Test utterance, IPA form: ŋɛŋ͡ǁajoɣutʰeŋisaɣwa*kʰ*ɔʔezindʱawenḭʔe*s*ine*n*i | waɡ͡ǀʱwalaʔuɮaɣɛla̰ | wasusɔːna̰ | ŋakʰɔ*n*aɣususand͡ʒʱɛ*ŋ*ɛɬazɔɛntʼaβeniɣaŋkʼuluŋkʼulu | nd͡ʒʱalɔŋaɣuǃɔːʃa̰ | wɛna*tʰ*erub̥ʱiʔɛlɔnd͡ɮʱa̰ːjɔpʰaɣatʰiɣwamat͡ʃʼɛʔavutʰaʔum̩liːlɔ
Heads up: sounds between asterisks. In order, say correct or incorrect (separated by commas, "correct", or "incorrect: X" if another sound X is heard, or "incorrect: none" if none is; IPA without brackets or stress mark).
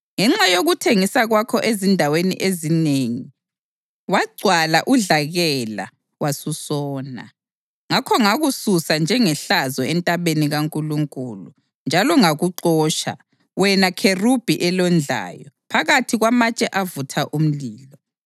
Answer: correct, incorrect: z, incorrect: ŋ, incorrect: ŋ, correct, incorrect: kʰ